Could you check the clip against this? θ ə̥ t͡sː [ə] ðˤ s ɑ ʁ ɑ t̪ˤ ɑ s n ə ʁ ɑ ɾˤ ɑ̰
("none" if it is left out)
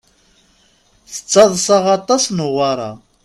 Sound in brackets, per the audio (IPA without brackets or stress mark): ɑ